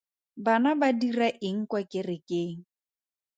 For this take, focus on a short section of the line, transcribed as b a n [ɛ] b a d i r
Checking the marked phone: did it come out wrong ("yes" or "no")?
yes